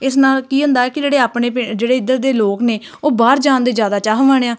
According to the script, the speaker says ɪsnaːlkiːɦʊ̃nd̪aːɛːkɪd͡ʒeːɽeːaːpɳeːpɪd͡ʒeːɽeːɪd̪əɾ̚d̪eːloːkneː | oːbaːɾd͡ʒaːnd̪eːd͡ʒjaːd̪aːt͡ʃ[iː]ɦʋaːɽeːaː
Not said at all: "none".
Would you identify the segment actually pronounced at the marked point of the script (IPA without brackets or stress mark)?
aː